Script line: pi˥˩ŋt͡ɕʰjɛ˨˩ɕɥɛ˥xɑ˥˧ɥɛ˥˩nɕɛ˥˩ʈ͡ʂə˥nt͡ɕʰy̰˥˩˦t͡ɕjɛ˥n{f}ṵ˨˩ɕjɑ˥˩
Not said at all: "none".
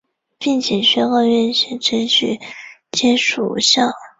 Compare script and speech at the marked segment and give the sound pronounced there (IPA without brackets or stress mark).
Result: ʂ